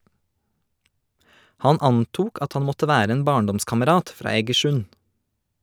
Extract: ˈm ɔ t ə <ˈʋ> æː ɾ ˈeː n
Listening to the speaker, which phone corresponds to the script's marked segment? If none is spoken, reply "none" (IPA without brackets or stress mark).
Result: ʋ